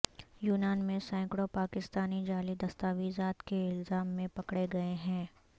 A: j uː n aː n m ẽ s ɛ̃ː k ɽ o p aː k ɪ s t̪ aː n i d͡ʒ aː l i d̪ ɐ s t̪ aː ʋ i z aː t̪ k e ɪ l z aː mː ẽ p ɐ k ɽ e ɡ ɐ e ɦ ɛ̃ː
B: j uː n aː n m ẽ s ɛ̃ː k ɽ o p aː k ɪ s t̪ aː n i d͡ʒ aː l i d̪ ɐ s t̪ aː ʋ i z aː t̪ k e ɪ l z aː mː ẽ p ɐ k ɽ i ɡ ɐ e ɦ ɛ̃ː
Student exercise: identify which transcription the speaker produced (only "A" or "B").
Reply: A